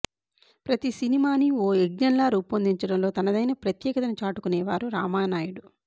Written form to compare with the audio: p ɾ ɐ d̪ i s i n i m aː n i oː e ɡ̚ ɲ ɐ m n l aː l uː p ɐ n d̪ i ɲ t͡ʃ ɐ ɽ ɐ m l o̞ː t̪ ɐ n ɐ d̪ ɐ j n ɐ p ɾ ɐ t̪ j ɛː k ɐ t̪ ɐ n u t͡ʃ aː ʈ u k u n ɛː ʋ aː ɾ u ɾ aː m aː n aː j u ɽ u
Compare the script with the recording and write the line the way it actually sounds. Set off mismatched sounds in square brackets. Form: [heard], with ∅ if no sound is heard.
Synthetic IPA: p ɾ ɐ [t̪] i s i n i m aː n i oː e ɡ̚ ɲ ɐ [∅] n l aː [ɾ] uː p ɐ n d̪ i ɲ t͡ʃ ɐ ɽ ɐ m l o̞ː t̪ ɐ n ɐ d̪ ɐ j n ɐ p ɾ ɐ t̪ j ɛː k ɐ t̪ ɐ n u t͡ʃ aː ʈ u k u n ɛː ʋ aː ɾ u ɾ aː m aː n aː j u ɽ u